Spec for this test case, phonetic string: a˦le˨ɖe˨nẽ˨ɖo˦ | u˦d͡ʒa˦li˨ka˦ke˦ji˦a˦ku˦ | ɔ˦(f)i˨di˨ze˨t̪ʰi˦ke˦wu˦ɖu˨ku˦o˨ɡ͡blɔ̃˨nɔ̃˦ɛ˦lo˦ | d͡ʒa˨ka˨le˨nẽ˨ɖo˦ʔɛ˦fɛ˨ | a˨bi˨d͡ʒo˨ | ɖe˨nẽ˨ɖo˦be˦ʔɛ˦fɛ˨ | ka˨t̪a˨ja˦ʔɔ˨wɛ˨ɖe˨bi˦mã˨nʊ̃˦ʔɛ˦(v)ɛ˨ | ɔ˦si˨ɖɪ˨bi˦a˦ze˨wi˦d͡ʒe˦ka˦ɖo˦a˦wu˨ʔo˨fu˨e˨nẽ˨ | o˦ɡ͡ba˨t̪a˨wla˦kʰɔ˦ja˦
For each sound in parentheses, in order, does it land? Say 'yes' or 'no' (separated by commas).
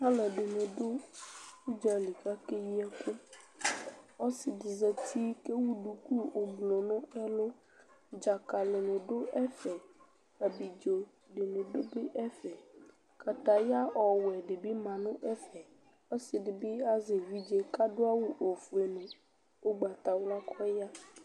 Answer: no, no